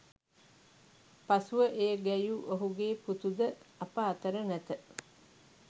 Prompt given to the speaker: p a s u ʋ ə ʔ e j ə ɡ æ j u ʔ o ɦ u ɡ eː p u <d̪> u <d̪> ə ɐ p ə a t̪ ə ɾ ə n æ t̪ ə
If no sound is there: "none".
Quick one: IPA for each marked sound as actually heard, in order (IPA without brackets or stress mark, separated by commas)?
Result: t̪, d̪